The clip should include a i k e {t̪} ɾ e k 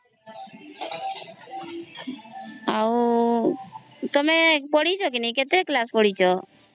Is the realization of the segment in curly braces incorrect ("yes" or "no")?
no